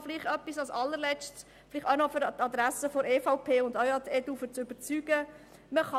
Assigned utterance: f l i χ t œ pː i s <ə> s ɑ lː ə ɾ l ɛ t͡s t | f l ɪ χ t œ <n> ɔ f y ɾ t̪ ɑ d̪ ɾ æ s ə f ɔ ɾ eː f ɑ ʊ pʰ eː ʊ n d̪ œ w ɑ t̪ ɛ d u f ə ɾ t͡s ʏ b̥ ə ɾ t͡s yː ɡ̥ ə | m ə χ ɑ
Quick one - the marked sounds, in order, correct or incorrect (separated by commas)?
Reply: incorrect, correct